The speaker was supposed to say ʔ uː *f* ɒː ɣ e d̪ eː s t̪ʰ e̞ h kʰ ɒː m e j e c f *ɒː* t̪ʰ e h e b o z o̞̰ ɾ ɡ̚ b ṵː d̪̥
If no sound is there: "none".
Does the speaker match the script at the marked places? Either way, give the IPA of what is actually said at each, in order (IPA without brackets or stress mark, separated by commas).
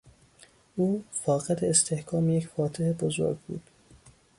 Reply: f, ɒː